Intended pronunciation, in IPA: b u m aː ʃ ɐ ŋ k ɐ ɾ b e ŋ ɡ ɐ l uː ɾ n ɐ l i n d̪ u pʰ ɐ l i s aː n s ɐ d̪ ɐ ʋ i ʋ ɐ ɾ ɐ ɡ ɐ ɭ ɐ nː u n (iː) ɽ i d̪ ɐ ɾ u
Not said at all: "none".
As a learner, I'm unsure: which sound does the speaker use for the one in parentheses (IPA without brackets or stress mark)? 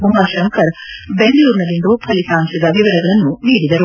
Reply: iː